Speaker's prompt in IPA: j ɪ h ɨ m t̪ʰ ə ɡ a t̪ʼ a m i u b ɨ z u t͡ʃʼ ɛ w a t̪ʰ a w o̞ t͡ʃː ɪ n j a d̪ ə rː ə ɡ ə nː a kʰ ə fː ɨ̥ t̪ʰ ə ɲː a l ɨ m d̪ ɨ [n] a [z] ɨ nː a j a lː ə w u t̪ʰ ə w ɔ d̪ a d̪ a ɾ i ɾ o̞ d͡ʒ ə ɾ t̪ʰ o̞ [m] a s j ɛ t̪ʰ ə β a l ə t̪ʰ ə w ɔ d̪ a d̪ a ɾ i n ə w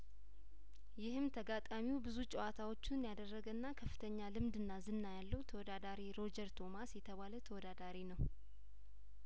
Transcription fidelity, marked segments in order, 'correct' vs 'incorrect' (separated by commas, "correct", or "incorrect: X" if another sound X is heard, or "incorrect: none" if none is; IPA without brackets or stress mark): incorrect: nː, correct, correct